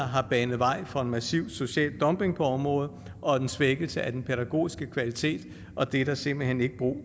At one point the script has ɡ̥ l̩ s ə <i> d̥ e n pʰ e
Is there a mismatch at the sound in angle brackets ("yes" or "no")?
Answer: yes